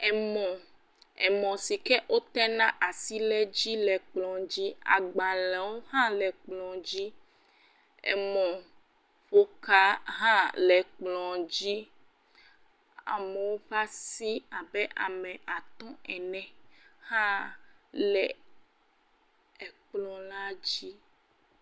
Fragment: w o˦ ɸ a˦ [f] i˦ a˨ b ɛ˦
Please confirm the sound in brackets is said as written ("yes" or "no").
no